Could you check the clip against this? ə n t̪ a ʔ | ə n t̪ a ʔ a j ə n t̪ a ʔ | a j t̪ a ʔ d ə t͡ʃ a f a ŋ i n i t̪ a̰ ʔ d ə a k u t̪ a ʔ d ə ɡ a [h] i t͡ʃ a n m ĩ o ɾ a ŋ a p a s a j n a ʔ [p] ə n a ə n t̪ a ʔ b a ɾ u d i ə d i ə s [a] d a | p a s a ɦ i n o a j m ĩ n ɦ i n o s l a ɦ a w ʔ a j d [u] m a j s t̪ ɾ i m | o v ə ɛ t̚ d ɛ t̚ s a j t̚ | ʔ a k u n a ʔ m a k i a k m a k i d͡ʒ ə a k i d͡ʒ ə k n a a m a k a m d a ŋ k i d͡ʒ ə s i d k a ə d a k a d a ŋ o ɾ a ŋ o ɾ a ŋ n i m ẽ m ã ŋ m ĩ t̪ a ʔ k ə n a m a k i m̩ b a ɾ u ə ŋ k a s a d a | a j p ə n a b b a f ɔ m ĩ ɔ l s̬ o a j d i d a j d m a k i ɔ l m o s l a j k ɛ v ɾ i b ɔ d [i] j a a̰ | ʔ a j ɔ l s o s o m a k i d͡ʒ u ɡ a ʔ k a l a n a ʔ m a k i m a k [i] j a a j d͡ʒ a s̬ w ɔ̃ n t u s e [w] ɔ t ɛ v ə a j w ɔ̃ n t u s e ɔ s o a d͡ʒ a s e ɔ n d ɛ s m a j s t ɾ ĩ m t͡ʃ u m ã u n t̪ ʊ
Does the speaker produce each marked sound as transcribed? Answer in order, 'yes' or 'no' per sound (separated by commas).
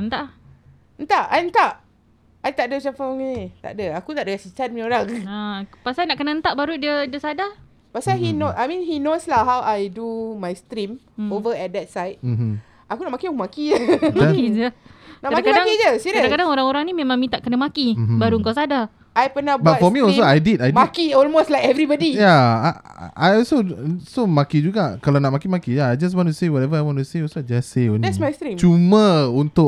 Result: no, no, yes, yes, yes, yes, yes